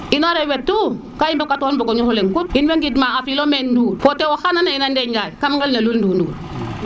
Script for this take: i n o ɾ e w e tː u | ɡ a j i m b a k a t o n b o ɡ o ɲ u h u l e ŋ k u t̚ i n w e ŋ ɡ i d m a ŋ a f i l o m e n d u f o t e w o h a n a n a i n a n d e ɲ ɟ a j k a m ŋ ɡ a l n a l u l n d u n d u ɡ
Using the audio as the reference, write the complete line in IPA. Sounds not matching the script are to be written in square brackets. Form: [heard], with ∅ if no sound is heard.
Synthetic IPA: i n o ɾ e w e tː u | [k] a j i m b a k a t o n b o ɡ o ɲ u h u l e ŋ k u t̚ i n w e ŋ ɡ i d m a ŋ a f i l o m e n d u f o t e w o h a n a n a i n a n d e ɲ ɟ a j k a m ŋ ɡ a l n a l u l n d u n d u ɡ